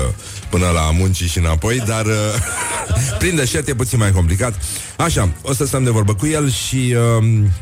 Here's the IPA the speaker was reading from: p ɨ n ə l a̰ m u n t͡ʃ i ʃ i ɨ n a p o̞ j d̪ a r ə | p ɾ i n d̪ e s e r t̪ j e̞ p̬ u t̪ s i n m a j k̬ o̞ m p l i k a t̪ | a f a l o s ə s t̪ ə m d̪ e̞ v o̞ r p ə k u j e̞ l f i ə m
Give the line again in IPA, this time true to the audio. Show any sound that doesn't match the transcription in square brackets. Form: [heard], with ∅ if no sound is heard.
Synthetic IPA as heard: p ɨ n ə l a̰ m u n t͡ʃ i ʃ i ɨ n a p o̞ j d̪ a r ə | p ɾ i n d̪ e [ʃ] e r t̪ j e̞ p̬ u t̪ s i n m a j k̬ o̞ m p l i k a t̪ | a [ʃ] a [∅] o s ə s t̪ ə m d̪ e̞ v o̞ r [b] ə k u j e̞ l [ʃ] i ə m